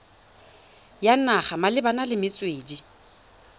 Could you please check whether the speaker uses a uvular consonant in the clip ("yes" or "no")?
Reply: yes